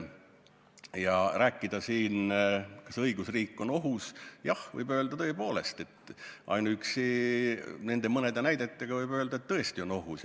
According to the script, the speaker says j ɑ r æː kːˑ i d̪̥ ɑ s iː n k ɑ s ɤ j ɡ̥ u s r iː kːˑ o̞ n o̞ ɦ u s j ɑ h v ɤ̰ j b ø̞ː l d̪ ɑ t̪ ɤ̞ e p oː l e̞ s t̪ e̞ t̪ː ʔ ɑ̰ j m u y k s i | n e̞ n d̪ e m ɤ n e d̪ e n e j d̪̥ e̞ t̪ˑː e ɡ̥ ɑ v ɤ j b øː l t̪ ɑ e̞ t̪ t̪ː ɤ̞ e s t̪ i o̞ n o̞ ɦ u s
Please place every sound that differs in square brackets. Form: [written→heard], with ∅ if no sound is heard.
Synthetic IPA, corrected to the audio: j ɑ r æː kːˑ i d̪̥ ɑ s iː n k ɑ s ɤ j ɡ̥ u s r iː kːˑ o̞ n o̞ ɦ u s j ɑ h v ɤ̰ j b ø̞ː l d̪ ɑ t̪ ɤ̞ e p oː l e̞ s t̪ e̞ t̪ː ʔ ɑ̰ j [m→n] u y k s i | n e̞ n d̪ e m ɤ n e d̪ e n [e→æ] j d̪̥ e̞ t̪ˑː e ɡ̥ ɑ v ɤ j b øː l [t̪→d̪] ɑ e̞ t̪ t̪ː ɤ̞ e s t̪ i o̞ n o̞ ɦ u s